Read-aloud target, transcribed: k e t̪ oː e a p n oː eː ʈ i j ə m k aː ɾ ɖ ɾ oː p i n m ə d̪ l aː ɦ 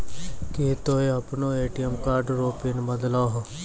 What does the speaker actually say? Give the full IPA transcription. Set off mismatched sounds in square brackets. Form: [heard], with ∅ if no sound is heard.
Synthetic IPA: k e t̪ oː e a p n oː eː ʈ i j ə m k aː ɾ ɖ ɾ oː p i n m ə d̪ l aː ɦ